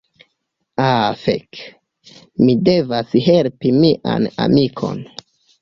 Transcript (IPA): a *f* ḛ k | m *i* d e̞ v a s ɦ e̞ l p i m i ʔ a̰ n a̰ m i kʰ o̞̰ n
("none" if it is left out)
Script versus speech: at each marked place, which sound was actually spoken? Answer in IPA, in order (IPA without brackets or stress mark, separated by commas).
f, i